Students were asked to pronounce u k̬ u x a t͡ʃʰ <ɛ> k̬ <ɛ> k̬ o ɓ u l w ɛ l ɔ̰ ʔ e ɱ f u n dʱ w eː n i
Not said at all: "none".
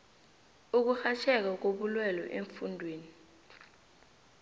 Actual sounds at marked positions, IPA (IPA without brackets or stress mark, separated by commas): ɛ, a